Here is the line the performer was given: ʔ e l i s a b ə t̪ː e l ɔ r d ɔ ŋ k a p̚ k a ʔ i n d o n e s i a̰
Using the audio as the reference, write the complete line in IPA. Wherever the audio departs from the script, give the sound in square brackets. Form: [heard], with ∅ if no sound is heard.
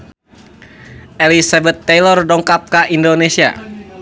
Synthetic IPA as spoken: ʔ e l i s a b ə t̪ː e l ɔ r d ɔ ŋ k a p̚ k a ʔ i n d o n e s i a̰